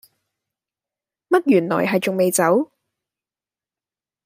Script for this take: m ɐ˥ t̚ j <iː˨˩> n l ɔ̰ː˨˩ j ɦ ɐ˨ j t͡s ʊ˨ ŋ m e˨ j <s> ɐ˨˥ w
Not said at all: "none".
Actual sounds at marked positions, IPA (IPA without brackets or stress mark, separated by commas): yː˨˩, t͡s